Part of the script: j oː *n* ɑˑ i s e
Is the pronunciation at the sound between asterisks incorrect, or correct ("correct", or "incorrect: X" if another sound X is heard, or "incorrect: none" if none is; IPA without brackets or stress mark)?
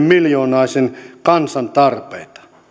correct